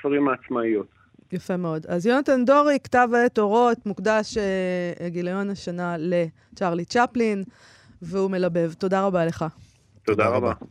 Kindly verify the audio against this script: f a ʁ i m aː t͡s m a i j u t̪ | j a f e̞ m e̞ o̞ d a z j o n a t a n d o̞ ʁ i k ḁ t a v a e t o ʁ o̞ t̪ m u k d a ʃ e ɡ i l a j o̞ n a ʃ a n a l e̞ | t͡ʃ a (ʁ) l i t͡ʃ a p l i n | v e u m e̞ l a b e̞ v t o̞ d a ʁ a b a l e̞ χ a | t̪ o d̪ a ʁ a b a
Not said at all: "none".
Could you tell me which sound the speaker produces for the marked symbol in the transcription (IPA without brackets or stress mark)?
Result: ʁ